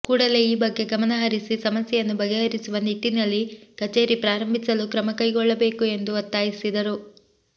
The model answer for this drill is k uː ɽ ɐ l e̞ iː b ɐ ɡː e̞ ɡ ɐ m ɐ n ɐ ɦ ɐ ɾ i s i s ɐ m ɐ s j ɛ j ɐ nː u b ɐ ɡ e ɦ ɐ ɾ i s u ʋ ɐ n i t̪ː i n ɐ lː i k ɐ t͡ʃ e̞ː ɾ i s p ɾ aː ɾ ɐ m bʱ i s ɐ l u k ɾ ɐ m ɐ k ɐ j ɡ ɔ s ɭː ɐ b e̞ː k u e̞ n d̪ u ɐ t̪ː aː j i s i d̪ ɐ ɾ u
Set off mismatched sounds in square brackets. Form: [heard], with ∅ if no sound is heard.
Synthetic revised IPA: k uː ɽ ɐ l e̞ iː b ɐ ɡː e̞ ɡ ɐ m ɐ n ɐ ɦ ɐ ɾ i s i s ɐ m ɐ s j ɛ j ɐ nː u b ɐ ɡ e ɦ ɐ ɾ i s u ʋ ɐ n i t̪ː i n ɐ lː i k ɐ t͡ʃ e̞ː ɾ i [∅] p ɾ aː ɾ ɐ m bʱ i s ɐ l u k ɾ ɐ m ɐ k ɐ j ɡ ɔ [∅] ɭː ɐ b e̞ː k u e̞ n d̪ u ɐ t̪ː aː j i s i d̪ ɐ ɾ u